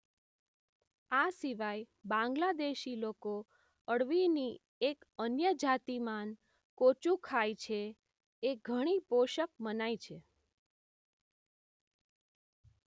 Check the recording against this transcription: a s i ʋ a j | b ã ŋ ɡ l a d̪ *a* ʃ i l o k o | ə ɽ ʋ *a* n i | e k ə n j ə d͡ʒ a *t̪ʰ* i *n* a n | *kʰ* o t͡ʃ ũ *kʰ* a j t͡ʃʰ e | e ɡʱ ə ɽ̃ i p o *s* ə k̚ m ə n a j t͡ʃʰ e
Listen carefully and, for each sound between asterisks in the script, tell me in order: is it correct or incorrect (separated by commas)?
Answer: incorrect, incorrect, incorrect, incorrect, incorrect, correct, incorrect